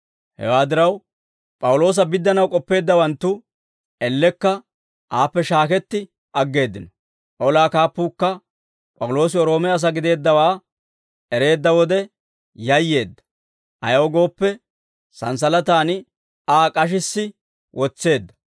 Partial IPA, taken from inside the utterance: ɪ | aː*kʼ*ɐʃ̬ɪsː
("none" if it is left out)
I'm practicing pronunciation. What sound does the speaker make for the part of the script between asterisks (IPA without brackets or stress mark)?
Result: kʼ